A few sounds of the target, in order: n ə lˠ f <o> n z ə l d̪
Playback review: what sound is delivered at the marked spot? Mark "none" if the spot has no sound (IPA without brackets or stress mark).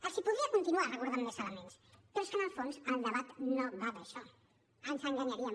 o